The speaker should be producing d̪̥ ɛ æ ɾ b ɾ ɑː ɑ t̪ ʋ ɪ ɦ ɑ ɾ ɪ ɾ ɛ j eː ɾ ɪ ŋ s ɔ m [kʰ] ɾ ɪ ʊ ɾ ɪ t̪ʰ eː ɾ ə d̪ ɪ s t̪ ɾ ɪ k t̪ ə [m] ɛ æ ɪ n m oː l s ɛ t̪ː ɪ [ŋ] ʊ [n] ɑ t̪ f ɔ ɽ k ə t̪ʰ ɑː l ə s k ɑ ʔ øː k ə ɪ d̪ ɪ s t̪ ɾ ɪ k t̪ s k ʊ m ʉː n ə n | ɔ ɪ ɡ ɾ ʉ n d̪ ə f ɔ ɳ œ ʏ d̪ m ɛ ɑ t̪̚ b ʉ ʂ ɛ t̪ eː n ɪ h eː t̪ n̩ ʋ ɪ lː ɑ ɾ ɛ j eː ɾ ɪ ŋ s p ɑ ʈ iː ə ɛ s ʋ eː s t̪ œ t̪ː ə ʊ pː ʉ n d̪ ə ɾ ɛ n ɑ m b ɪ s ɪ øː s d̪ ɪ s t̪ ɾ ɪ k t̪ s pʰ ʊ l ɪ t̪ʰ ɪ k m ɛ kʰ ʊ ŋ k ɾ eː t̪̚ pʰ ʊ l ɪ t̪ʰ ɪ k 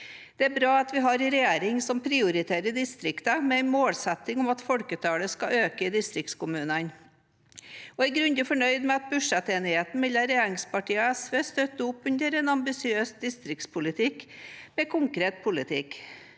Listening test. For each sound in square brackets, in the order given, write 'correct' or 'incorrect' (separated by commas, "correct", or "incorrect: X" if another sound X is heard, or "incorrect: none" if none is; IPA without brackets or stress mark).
incorrect: pʰ, correct, correct, incorrect: m